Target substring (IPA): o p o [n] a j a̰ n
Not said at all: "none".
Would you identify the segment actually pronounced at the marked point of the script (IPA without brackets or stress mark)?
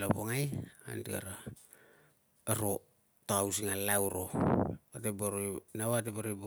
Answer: ŋ